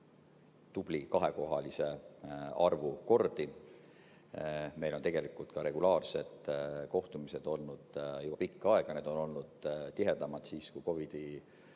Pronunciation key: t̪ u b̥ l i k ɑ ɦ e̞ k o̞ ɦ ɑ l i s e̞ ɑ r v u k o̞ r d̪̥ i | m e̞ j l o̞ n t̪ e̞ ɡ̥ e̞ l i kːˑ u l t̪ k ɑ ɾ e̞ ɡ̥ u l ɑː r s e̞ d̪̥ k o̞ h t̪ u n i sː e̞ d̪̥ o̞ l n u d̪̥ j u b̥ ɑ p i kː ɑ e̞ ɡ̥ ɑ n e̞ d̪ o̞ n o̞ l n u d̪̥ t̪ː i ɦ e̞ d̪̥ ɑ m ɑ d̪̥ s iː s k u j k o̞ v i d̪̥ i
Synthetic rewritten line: t̪ u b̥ l i k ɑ ɦ e̞ k o̞ ɦ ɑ l i s e̞ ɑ r v u k o̞ r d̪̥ i | m e̞ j l o̞ n t̪ e̞ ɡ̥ e̞ l i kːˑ u l t̪ k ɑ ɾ e̞ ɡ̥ u l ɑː r s e̞ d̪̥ k o̞ h t̪ u m i s e̞ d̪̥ o̞ l n u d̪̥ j u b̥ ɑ p i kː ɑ e̞ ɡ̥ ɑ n e̞ d̪ o̞ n o̞ l n u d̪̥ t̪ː i ɦ e̞ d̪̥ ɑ m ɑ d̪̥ s iː s k u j k o̞ v i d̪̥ i

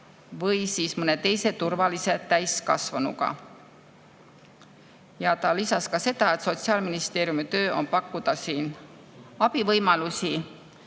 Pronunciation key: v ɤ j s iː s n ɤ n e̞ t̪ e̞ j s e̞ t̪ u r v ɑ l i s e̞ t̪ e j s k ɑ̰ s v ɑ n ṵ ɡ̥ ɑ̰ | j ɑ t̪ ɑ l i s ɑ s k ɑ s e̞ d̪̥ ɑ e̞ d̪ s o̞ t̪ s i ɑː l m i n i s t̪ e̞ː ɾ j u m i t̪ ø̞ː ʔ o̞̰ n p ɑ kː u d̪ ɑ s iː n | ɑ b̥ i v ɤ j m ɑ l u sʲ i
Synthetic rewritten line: v ɤ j s iː s m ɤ n e̞ t̪ e̞ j s e̞ t̪ u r v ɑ l i s e̞ t̪ æ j s k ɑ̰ s v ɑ n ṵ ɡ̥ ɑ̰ | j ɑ t̪ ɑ l i s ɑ s k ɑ s e̞ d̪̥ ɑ e̞ t̪ s o̞ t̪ s i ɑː l m i n i s t̪ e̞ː ɾ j u m i t̪ ø̞ː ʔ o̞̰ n p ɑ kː u d̪ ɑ s iː n | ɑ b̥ i v ɤ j m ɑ l u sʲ i

